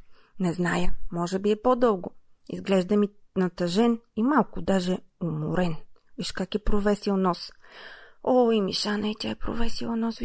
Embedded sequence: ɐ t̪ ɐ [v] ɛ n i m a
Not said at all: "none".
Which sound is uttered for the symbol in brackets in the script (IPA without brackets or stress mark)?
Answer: ʒ